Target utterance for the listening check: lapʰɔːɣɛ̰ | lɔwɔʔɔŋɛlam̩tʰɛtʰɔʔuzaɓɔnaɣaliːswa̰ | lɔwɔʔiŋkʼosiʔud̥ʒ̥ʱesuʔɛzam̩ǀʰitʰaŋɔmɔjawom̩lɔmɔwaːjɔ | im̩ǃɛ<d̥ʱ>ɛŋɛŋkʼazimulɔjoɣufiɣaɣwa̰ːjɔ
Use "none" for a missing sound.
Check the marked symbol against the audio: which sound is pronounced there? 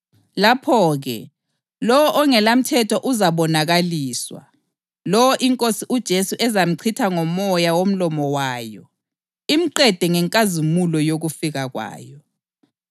d̥ʱ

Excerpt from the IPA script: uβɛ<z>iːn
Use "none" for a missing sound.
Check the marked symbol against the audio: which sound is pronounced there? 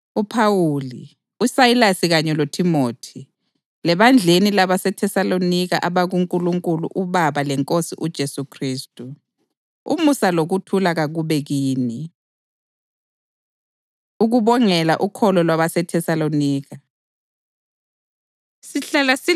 ɣ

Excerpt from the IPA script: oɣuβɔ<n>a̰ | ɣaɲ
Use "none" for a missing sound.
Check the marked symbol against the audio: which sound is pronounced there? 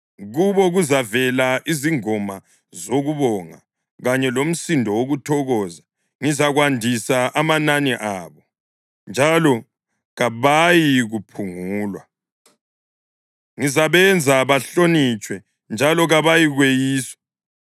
ŋ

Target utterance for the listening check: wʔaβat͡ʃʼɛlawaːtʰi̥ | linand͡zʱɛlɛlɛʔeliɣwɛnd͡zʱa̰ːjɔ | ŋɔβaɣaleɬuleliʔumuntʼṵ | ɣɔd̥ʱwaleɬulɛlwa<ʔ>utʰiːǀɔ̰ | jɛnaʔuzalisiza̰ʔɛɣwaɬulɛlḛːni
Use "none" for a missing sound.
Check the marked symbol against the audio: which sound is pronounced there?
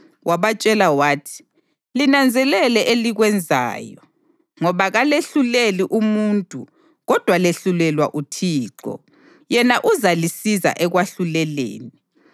ʔ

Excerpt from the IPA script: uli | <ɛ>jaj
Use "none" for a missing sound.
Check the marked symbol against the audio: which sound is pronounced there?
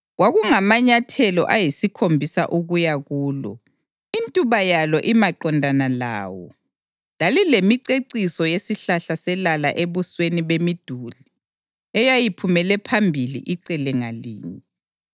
ɛ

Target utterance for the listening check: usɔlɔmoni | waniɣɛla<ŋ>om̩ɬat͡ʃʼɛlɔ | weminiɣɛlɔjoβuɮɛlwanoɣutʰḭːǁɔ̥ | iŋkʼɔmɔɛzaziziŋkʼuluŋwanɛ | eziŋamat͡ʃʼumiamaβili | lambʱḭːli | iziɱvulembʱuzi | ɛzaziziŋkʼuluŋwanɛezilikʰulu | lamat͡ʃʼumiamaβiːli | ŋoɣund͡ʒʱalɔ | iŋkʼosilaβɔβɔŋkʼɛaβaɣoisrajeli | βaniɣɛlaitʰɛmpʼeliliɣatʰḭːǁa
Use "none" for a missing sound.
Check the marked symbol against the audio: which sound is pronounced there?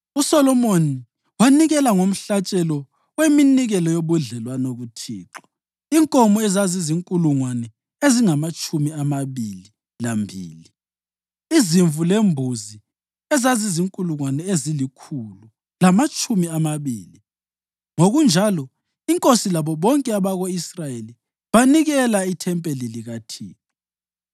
ŋ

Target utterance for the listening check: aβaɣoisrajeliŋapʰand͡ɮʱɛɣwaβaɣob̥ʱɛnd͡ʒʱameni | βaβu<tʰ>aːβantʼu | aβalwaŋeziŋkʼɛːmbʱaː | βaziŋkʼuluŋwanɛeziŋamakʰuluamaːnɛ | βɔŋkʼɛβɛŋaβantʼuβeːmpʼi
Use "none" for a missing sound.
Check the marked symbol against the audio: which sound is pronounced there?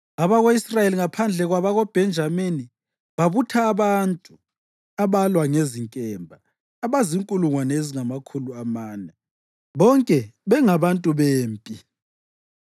tʰ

